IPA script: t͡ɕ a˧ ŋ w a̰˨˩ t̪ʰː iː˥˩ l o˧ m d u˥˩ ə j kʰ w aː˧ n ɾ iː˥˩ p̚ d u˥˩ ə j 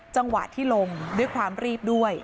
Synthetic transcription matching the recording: t͡ɕ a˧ ŋ w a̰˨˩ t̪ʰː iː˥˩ l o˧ ŋ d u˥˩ ə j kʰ w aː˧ m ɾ iː˥˩ p̚ d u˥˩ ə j